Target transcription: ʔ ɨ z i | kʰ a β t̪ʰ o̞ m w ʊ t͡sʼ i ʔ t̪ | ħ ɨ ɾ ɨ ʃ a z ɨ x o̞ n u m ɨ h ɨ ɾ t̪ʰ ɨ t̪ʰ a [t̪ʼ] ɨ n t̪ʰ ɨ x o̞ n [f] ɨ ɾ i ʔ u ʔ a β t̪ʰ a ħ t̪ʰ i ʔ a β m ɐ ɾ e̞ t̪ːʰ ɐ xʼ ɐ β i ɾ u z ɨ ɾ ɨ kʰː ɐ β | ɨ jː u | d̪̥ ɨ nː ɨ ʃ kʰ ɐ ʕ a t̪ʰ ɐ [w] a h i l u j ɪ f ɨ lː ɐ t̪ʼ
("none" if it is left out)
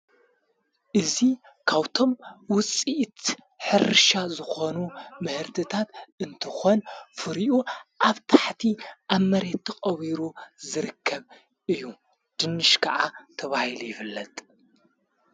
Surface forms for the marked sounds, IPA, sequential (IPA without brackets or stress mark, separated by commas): t̪, f, β